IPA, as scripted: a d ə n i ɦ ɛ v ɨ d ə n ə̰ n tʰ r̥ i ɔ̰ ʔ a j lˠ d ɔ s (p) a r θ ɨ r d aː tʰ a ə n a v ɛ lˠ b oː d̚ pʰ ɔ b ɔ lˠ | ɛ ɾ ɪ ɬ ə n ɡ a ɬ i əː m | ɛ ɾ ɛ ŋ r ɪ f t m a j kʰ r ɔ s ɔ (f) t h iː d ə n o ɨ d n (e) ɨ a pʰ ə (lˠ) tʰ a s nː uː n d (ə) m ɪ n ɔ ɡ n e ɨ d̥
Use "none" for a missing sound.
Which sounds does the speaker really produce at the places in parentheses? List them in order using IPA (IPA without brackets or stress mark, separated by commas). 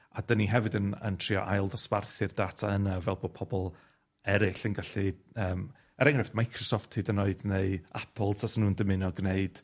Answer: p, f, e, lˠ, ə